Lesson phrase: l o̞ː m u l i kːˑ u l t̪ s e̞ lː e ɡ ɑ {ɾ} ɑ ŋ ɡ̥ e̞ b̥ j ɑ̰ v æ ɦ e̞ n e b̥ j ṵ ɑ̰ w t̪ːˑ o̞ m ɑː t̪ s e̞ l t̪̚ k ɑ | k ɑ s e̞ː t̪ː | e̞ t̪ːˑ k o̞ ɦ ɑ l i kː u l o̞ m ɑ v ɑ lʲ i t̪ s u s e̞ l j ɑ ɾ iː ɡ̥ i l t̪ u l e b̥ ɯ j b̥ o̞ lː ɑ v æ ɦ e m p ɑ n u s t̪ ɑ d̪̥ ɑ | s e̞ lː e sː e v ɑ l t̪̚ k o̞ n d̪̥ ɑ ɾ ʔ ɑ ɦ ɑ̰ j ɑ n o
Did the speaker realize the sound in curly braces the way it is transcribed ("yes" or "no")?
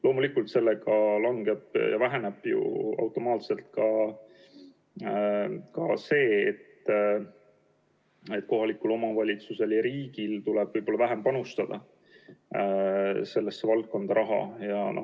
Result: no